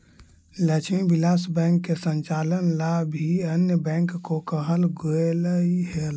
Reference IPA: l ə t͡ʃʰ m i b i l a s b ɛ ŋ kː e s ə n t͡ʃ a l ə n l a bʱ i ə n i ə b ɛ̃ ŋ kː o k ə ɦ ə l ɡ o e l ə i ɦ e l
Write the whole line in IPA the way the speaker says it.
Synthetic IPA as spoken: l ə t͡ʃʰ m i b i l a s b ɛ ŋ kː e s ə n t͡ʃ a l ə n l a bʱ i ə n j ə b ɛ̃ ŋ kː o k ə ɦ ə l ɡ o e l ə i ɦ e l